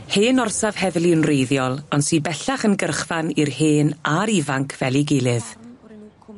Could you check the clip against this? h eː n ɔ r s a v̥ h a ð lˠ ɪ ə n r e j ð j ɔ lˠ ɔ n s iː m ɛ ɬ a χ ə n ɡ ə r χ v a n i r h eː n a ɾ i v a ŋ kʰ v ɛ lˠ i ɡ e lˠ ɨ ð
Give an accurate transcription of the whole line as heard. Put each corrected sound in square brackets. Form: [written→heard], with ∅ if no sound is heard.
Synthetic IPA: h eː n ɔ r s a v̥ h [a→ɛ] ð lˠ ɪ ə n r e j ð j ɔ lˠ ɔ n s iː [m→b] ɛ ɬ a χ ə n ɡ ə r χ v a n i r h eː n a ɾ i v a ŋ kʰ v ɛ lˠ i ɡ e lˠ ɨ ð